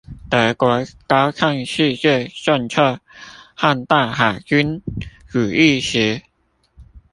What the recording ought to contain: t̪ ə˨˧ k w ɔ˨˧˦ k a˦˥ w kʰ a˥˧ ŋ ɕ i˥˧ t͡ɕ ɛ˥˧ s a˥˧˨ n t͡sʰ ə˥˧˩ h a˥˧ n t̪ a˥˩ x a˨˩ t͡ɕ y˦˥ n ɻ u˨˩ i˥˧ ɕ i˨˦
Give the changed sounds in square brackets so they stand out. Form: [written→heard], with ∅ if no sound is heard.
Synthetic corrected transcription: t̪ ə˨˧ k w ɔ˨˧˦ k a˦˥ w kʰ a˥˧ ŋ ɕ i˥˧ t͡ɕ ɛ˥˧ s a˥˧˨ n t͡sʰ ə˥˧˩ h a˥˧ n t̪ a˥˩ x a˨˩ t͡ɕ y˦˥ n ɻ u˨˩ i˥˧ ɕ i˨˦

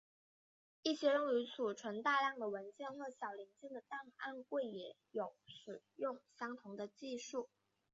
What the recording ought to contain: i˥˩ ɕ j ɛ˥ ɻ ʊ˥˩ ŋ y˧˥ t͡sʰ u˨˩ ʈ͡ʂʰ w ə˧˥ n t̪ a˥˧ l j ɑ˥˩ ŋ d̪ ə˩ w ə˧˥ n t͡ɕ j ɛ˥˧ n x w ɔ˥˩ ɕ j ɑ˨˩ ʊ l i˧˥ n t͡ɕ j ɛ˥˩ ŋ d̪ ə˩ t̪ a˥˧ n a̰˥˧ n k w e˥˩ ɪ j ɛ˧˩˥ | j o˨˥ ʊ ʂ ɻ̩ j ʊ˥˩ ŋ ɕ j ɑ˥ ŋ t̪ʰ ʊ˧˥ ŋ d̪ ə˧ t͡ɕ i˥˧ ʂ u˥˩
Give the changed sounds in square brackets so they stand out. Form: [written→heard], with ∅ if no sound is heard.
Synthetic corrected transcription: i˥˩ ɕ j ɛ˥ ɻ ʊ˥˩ ŋ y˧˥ t͡sʰ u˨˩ ʈ͡ʂʰ w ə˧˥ n t̪ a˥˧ l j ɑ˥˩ ŋ d̪ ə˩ w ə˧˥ n t͡ɕ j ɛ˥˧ n x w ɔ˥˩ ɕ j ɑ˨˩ ʊ l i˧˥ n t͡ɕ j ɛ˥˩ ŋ d̪ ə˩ t̪ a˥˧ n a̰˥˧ n k w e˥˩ ɪ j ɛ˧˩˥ | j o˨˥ ʊ ʂ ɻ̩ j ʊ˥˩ ŋ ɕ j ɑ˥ ŋ t̪ʰ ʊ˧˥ ŋ d̪ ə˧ t͡ɕ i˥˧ ʂ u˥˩

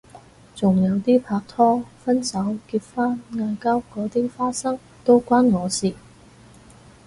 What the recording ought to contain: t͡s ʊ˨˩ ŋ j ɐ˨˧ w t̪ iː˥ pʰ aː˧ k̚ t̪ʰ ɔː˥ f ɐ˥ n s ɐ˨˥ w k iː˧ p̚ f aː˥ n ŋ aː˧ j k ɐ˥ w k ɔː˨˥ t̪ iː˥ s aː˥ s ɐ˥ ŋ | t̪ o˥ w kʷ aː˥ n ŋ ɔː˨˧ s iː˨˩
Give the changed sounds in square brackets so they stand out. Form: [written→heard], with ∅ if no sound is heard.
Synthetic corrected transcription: t͡s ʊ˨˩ ŋ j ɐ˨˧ w t̪ iː˥ pʰ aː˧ k̚ t̪ʰ ɔː˥ f ɐ˥ n s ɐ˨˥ w k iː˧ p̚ f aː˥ n ŋ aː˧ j k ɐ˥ w k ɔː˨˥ t̪ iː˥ [s→f] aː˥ s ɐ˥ ŋ | t̪ o˥ w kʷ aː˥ n ŋ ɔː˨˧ s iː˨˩

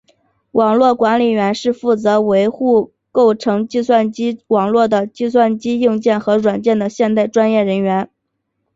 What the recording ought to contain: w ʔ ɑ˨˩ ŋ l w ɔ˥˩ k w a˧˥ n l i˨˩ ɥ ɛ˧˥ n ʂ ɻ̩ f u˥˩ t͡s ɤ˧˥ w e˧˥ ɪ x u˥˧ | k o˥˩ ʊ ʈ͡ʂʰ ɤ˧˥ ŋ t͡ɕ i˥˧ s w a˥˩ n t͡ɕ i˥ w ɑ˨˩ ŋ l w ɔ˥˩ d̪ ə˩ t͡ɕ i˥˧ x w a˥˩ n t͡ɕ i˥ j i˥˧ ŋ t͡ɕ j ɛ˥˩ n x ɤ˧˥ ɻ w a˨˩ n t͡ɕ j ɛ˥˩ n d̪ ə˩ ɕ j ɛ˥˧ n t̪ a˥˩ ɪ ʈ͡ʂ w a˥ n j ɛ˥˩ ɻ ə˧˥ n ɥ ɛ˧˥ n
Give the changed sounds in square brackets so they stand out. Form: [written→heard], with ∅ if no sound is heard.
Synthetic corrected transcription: w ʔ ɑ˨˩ ŋ l w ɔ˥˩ k w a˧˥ n l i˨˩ ɥ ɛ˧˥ n ʂ ɻ̩ f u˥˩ t͡s ɤ˧˥ w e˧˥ ɪ x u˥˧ | k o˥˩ ʊ ʈ͡ʂʰ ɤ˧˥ ŋ t͡ɕ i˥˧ s w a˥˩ n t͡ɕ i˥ w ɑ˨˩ ŋ l w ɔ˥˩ d̪ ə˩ t͡ɕ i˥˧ [x→s] w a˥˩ n t͡ɕ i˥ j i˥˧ ŋ t͡ɕ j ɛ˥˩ n x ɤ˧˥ ɻ w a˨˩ n t͡ɕ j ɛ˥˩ n d̪ ə˩ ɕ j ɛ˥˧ n t̪ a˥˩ ɪ ʈ͡ʂ w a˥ n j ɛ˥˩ ɻ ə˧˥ n ɥ ɛ˧˥ n

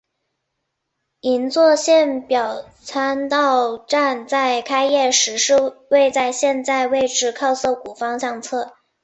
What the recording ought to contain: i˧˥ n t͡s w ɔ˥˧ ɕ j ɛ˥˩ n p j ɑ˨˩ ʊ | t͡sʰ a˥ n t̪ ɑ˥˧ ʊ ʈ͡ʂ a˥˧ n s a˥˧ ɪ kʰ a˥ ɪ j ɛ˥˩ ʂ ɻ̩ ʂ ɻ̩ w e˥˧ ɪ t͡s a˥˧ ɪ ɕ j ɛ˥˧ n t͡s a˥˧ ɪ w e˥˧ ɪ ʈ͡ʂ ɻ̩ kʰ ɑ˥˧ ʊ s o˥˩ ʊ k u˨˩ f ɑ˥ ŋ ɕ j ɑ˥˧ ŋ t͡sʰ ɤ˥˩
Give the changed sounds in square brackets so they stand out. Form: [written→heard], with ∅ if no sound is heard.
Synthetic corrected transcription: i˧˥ n t͡s w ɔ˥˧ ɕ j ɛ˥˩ n p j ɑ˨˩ ʊ | t͡sʰ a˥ n t̪ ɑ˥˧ ʊ ʈ͡ʂ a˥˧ n [s→t͡s] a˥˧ ɪ kʰ a˥ ɪ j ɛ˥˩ ʂ ɻ̩ ʂ ɻ̩ w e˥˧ ɪ t͡s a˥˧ ɪ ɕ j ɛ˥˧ n t͡s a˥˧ ɪ w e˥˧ ɪ ʈ͡ʂ ɻ̩ kʰ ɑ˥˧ ʊ s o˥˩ ʊ k u˨˩ f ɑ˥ ŋ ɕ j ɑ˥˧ ŋ t͡sʰ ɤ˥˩

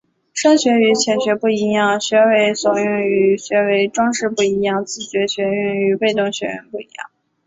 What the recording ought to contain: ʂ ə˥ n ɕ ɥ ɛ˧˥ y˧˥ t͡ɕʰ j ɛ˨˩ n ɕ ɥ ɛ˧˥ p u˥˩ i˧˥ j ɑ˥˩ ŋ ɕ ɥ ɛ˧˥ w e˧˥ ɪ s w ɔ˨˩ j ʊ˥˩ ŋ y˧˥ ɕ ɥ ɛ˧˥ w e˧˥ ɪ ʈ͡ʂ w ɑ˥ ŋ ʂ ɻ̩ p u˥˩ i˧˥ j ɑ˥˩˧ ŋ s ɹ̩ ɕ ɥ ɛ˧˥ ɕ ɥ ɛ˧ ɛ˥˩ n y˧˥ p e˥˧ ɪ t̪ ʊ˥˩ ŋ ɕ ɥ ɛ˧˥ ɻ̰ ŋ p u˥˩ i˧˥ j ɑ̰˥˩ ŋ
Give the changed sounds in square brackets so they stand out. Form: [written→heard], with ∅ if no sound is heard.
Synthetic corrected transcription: ʂ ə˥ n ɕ ɥ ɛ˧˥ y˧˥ t͡ɕʰ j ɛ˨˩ n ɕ ɥ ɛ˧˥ p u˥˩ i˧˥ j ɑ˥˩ ŋ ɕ ɥ ɛ˧˥ w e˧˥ ɪ s w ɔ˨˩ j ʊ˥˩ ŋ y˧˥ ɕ ɥ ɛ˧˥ w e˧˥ ɪ ʈ͡ʂ w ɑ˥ ŋ ʂ ɻ̩ p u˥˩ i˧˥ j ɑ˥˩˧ ŋ [s→t͡s] ɹ̩ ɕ ɥ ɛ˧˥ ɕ ɥ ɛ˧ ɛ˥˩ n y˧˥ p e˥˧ ɪ t̪ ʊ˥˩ ŋ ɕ ɥ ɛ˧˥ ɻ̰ [ŋ→n] p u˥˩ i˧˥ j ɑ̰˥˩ ŋ

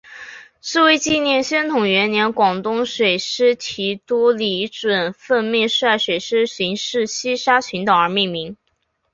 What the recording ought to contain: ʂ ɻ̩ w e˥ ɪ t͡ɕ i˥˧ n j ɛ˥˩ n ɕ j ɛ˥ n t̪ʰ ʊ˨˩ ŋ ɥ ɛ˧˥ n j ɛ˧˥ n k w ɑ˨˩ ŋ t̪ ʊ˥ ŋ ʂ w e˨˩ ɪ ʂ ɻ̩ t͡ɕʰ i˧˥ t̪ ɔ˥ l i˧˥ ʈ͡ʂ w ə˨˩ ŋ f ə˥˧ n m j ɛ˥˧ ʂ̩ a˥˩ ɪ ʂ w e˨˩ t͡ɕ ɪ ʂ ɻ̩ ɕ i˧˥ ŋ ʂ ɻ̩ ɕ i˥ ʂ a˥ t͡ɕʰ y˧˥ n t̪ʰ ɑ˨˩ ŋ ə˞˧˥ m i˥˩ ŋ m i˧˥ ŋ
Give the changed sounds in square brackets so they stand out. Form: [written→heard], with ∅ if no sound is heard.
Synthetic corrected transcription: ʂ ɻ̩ w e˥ ɪ t͡ɕ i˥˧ n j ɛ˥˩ n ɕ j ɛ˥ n t̪ʰ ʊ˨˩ ŋ ɥ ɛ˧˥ n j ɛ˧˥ n k w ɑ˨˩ ŋ t̪ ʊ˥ ŋ ʂ w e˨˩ ɪ ʂ ɻ̩ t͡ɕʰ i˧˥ t̪ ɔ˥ l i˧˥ ʈ͡ʂ w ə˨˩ [ŋ→n] f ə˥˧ n m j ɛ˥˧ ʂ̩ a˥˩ ɪ ʂ w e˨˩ [t͡ɕ→∅] ɪ ʂ ɻ̩ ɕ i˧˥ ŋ ʂ ɻ̩ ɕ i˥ ʂ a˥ t͡ɕʰ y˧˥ n [t̪ʰ→t̪] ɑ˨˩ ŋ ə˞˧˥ m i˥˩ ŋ m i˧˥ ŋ

